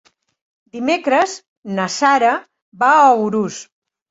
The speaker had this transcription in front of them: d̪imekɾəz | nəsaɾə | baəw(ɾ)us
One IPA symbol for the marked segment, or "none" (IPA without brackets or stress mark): ɾ